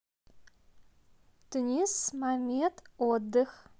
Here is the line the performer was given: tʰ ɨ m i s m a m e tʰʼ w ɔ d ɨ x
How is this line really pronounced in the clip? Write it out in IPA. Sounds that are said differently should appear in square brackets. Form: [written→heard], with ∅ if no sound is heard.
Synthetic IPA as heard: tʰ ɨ [m→n] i s m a m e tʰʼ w ɔ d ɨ x

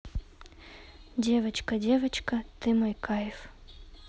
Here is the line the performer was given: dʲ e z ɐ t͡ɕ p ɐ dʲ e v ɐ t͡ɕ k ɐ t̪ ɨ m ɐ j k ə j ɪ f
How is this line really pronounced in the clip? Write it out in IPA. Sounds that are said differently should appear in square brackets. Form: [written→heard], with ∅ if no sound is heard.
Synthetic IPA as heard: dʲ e [z→v] ɐ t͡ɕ [p→k] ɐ dʲ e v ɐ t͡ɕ k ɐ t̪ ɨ m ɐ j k [ə→a] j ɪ f

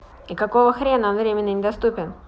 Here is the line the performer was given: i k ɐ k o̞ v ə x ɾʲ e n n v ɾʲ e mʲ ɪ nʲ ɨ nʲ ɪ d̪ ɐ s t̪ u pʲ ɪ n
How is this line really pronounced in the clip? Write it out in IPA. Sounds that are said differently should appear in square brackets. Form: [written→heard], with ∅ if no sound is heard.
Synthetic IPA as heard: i k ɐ k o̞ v ə x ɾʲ e n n v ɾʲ e mʲ ɪ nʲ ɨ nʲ ɪ d̪ ɐ s t̪ u pʲ ɪ n

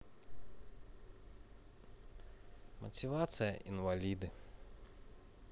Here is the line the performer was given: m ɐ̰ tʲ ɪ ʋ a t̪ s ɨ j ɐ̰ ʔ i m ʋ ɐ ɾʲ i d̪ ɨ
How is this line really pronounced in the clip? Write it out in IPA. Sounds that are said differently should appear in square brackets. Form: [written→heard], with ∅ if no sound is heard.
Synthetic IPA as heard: m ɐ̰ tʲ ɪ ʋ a t̪ s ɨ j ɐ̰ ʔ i [m→n] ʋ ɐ [ɾʲ→lʲ] i d̪ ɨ

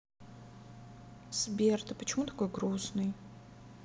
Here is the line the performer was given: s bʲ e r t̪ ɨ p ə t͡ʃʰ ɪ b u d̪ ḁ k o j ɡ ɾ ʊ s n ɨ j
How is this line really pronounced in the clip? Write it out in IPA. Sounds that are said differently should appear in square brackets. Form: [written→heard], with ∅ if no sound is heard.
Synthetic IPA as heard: s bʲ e r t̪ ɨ p ə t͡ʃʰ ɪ [b→m] u [d̪→t̪] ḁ k o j ɡ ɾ [ʊ→u] s n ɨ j

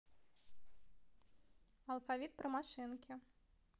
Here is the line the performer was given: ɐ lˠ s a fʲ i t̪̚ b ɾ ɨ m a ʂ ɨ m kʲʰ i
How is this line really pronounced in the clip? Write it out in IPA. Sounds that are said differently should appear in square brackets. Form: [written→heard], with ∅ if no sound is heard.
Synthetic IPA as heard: ɐ lˠ [s→f] a [fʲ→vʲ] i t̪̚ [b→p] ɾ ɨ m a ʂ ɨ [m→n] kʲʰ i

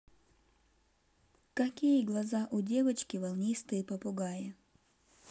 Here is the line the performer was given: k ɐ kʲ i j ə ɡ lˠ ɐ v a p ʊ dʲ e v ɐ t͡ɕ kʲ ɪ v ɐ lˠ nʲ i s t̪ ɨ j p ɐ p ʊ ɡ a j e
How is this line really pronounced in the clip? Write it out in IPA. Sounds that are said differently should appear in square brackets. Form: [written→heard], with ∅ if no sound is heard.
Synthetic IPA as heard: k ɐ kʲ i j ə ɡ lˠ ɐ [v→z] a [p→ʔ] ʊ dʲ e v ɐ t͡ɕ kʲ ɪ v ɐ lˠ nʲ i s t̪ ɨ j p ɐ p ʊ ɡ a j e

